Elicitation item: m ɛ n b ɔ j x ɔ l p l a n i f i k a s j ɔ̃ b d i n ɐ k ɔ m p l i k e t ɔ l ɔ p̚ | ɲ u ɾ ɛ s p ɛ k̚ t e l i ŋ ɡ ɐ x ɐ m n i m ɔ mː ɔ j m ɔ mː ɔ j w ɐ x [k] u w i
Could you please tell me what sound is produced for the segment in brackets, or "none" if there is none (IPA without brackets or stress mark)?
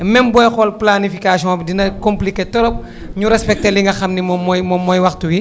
t